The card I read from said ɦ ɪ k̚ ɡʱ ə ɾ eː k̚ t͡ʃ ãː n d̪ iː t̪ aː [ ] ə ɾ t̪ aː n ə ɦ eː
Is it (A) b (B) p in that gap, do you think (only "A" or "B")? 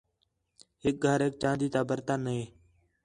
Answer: A